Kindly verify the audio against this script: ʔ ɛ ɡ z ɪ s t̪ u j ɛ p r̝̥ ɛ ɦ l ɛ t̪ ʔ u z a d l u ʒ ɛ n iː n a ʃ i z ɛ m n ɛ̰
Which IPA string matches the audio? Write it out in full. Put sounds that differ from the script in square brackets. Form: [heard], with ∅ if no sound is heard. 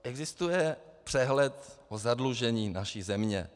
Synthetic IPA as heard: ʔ ɛ ɡ z ɪ s t̪ u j ɛ p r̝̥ ɛ ɦ l ɛ t̪ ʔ [o] z a d l u ʒ ɛ [ɲ] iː n a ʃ i z ɛ m [ɲ] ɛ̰